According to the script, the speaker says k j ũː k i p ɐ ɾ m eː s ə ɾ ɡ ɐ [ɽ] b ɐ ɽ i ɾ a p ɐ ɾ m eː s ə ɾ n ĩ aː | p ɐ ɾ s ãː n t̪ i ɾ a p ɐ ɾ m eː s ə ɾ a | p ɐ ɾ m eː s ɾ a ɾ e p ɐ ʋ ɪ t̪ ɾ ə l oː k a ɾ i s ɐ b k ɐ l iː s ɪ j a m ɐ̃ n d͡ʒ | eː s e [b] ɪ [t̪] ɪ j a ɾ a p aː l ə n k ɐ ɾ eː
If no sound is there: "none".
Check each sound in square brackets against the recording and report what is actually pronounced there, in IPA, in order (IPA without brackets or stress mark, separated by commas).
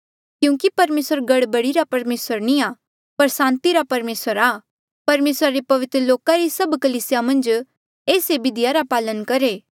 ɽ, b, d̪